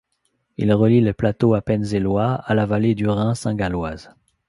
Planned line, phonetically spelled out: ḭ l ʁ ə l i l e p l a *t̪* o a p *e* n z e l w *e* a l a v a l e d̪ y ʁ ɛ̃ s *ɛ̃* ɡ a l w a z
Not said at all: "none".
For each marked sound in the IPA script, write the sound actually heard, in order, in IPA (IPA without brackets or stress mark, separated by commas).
t̪, ɛ, a, ɛ̃